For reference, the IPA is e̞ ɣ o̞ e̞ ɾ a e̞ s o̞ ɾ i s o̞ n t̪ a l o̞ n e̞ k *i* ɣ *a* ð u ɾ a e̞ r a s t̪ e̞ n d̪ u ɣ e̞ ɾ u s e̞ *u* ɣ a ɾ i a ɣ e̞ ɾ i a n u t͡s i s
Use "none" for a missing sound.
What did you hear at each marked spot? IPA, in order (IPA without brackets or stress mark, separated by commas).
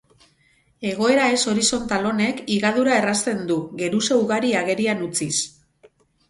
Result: i, a, u